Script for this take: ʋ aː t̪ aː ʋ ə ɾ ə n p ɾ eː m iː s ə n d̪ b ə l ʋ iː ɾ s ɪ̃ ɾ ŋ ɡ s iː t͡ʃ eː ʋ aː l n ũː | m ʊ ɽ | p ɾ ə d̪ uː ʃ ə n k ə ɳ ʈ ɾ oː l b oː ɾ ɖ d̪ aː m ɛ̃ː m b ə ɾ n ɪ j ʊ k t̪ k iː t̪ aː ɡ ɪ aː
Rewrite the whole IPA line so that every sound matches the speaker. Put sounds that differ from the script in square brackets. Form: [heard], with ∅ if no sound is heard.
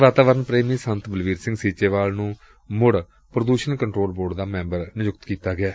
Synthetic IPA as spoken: ʋ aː t̪ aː ʋ ə ɾ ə n p ɾ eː m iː s ə n [t̪] b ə l ʋ iː ɾ s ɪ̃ [∅] ŋ ɡ s iː t͡ʃ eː ʋ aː l n ũː | m ʊ ɽ | p ɾ ə d̪ uː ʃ ə n k ə ɳ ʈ ɾ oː l b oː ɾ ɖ d̪ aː m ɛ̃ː m b ə ɾ n ɪ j ʊ k t̪ k iː t̪ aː ɡ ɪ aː